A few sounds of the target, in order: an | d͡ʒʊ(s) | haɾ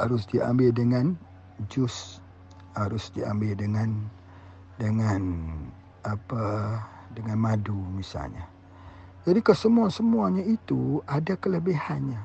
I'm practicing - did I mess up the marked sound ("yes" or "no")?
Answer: no